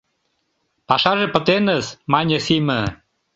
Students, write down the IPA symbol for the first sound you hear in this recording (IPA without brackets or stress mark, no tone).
p